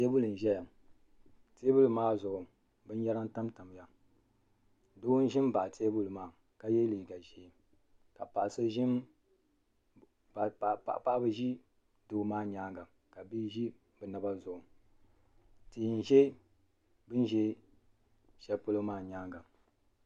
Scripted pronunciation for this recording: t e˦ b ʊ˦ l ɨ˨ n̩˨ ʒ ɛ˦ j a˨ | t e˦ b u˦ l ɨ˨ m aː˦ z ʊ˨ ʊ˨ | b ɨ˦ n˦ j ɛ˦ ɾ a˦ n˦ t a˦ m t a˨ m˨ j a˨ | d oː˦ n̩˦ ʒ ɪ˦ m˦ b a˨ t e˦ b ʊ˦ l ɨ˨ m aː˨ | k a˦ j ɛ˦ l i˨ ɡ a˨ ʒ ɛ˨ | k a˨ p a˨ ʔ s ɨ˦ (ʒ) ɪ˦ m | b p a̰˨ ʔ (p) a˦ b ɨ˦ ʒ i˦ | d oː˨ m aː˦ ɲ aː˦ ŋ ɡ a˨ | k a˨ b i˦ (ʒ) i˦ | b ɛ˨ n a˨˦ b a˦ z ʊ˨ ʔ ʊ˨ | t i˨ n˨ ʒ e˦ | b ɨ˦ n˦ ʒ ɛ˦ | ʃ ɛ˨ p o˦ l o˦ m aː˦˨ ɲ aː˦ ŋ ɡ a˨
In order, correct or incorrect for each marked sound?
correct, correct, correct

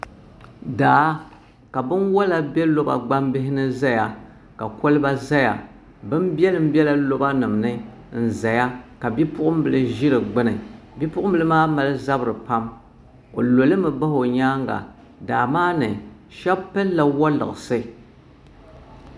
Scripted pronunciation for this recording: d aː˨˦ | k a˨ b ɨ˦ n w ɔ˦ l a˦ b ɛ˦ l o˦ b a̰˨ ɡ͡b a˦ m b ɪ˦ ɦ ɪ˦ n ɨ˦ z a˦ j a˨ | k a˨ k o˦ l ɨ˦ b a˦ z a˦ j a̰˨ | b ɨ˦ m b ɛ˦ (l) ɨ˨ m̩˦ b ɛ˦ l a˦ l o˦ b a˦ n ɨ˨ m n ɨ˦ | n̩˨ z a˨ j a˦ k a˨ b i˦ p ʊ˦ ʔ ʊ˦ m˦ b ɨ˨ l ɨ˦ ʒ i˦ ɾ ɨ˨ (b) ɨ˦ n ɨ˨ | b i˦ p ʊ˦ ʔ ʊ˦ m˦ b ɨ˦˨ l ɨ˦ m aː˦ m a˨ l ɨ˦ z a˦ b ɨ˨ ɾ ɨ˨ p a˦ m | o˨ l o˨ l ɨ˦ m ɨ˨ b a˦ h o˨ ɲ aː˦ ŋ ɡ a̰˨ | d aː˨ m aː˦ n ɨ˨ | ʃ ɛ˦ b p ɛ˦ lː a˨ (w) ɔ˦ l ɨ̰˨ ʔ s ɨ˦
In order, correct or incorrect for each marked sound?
correct, incorrect: ɡ͡b, correct

